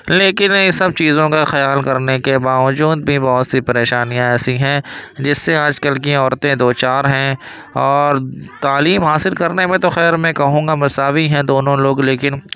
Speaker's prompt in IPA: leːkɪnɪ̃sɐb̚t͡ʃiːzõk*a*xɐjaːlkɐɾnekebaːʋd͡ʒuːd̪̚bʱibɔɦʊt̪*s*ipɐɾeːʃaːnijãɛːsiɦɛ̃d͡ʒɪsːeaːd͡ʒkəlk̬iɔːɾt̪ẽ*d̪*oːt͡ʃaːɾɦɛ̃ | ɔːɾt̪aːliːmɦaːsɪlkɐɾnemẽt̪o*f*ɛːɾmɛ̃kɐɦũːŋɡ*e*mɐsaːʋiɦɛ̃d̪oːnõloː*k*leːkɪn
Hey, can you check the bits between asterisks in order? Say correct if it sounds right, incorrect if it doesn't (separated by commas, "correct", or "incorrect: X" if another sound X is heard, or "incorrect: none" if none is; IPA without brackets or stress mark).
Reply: correct, correct, correct, incorrect: x, incorrect: a, incorrect: ɡ